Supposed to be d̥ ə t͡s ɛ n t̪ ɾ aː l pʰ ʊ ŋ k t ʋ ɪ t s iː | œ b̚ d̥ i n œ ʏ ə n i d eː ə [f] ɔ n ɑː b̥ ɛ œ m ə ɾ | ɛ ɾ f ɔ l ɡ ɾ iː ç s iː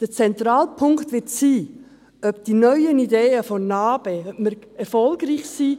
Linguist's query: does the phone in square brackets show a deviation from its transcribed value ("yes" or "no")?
no